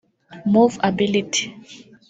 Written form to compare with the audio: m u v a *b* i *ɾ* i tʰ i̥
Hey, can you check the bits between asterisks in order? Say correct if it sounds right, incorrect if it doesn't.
correct, incorrect: l

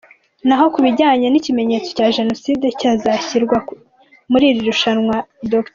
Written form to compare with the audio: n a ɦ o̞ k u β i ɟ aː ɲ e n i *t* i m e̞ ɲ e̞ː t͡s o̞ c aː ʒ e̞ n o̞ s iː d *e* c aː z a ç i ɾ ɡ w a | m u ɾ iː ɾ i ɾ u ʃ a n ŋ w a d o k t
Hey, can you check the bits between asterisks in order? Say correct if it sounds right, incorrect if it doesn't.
incorrect: c, correct

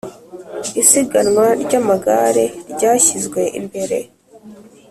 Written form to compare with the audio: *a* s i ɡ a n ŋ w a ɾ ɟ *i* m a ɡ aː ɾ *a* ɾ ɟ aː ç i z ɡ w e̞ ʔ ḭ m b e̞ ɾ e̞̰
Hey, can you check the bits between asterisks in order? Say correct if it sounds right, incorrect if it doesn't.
incorrect: i, incorrect: a, incorrect: e

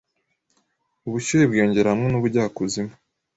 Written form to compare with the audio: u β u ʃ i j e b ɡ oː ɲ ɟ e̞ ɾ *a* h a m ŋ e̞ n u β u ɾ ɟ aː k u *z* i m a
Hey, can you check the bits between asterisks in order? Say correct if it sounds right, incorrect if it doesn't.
correct, correct

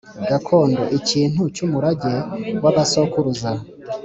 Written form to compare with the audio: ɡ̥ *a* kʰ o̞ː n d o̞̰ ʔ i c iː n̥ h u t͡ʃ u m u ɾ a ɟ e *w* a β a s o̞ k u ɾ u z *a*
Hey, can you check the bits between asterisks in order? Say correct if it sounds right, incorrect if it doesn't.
correct, correct, correct

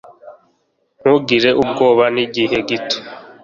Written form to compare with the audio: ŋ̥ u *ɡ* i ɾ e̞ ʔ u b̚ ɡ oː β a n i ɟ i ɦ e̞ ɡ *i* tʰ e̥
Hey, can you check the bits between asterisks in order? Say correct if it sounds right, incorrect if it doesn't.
correct, correct

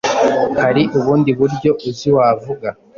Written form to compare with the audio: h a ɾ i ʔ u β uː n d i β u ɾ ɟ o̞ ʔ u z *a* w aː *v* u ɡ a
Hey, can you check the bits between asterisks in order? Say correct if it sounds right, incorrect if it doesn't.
incorrect: i, correct

